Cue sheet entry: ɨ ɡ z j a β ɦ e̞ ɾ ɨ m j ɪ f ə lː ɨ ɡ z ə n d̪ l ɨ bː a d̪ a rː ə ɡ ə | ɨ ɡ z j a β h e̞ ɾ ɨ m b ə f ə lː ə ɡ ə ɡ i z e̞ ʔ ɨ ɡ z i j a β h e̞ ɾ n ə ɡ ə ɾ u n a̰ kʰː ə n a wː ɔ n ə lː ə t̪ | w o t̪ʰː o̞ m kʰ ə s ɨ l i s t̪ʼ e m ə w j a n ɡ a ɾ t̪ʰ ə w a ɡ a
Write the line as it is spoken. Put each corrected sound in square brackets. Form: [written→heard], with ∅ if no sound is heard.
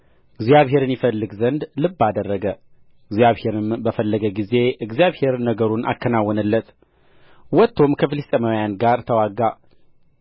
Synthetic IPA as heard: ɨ ɡ z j a β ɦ e̞ ɾ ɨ [m→n] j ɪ f ə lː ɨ ɡ z ə n d̪ l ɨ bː a d̪ [a→ə] rː ə ɡ ə | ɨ ɡ z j a β h e̞ ɾ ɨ m b ə f ə lː ə ɡ ə ɡ i z e̞ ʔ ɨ ɡ z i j a β h e̞ ɾ n ə ɡ ə ɾ u n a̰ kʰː ə n a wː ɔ n ə lː ə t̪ | w [o→ɔ] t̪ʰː o̞ m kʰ ə [s→f] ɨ l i s t̪ʼ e m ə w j a n ɡ a ɾ t̪ʰ ə w a ɡ a